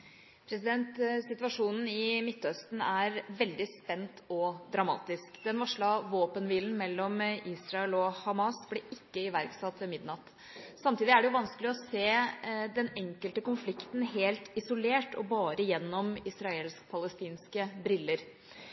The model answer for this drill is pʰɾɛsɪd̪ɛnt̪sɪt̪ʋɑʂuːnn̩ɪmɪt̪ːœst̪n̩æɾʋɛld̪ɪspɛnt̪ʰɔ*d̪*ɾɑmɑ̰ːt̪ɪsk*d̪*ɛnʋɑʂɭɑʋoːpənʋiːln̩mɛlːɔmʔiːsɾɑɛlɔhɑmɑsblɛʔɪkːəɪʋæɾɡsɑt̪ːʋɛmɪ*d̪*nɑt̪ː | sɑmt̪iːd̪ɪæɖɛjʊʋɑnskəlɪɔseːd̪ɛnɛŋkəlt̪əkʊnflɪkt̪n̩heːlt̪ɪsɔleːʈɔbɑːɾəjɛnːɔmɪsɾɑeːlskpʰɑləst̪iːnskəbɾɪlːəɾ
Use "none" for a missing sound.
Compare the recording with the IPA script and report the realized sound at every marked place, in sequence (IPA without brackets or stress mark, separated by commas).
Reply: d̪, d̪, d̪